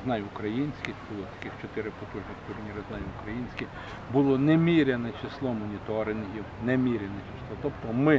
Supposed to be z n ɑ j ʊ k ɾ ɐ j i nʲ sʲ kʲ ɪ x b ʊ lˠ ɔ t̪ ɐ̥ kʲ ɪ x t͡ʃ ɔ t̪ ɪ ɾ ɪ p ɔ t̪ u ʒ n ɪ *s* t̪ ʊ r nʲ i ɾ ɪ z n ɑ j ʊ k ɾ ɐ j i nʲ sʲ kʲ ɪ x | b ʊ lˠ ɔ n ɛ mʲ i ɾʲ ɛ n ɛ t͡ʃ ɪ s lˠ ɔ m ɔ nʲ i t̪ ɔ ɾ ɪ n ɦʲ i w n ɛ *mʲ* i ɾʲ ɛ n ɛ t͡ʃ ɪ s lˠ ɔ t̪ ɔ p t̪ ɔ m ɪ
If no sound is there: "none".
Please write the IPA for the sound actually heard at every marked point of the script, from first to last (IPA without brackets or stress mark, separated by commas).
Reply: x, mʲ